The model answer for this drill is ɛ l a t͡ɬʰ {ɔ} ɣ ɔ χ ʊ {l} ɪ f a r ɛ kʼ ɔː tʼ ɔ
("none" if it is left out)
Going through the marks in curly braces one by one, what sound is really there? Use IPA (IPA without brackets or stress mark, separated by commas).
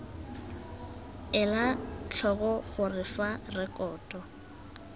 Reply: ɔ, r